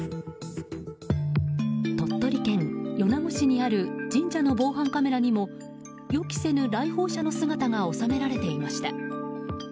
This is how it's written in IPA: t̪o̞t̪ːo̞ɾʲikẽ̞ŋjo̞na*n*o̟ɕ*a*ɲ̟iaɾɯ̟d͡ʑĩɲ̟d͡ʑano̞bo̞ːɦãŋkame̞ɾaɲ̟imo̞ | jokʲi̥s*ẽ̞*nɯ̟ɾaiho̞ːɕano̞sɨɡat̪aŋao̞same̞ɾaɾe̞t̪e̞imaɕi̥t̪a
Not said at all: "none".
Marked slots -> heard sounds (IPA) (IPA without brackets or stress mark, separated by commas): m, i, e̞